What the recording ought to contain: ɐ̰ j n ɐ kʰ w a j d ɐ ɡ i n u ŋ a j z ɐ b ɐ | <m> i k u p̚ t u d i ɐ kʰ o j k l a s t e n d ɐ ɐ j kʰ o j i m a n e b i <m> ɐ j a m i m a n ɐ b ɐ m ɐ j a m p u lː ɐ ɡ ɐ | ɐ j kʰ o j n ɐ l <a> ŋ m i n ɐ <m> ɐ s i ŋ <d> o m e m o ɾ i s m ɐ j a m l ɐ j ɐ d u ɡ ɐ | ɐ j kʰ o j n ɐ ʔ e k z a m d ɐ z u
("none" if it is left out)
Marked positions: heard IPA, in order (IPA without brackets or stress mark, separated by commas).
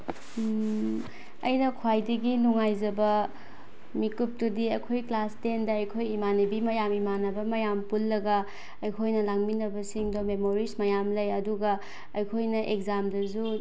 m, m, a, b, d